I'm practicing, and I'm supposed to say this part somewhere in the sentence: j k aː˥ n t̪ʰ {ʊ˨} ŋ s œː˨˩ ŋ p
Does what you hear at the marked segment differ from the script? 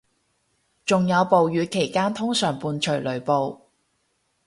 yes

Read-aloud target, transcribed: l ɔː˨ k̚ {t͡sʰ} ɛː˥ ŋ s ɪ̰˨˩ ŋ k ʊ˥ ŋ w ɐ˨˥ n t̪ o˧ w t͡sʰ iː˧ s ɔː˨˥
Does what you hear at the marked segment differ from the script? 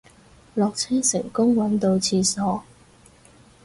no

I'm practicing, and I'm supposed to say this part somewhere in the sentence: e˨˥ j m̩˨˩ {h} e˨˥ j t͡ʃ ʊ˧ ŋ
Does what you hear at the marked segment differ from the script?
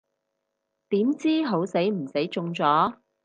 yes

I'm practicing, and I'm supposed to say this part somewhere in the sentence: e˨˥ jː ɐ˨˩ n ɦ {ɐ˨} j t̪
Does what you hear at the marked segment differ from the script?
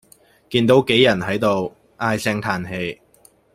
yes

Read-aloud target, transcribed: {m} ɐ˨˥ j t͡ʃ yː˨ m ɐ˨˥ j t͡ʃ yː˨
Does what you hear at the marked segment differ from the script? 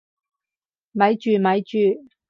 no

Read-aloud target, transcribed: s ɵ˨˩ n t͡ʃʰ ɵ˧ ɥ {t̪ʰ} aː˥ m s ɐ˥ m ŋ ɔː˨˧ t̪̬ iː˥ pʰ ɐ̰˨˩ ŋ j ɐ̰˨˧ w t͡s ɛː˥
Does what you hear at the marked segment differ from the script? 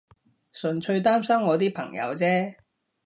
yes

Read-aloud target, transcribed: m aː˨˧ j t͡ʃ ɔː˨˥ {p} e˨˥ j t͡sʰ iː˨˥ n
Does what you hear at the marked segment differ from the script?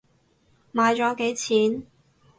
yes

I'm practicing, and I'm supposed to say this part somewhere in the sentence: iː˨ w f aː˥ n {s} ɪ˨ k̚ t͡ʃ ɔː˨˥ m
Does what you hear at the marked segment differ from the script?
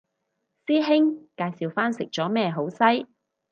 no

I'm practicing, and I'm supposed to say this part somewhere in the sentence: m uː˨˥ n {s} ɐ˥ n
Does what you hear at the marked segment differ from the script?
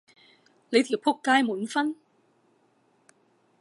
yes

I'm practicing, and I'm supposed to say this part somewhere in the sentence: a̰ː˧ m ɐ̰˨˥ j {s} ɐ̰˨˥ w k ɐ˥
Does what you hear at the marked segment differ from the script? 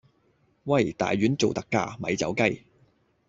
yes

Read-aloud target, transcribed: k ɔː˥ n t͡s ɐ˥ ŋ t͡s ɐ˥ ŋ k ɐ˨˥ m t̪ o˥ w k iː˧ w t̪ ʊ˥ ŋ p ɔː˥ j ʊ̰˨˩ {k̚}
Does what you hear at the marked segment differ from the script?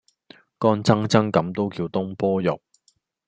no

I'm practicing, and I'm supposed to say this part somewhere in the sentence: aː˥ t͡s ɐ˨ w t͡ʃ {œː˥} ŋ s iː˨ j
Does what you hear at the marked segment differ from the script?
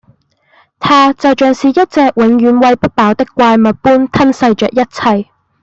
yes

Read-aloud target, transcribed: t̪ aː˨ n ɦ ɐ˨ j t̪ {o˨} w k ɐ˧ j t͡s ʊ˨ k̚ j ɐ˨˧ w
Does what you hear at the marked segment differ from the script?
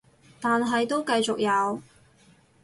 yes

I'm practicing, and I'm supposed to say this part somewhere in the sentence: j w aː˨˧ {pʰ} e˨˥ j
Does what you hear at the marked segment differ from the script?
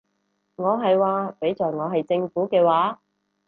yes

